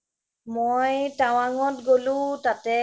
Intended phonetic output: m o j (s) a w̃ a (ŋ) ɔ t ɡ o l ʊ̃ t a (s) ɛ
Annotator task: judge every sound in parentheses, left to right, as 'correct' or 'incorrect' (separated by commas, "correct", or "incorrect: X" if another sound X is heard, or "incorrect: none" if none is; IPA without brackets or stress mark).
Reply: incorrect: t, correct, incorrect: t